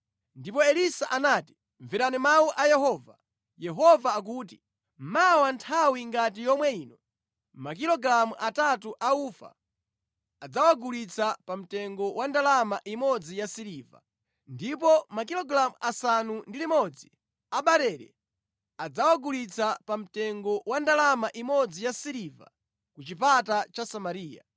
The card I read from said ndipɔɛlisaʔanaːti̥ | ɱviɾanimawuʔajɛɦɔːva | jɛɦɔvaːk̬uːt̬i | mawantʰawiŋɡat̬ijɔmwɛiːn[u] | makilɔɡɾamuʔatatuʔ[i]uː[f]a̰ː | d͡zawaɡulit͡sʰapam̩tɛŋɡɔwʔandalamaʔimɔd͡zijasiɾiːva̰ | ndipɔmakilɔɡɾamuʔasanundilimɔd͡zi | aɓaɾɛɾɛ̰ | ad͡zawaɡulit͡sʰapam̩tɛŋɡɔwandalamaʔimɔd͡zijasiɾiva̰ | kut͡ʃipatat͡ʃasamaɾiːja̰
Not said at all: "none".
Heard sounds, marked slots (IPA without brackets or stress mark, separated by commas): ɔ, a, f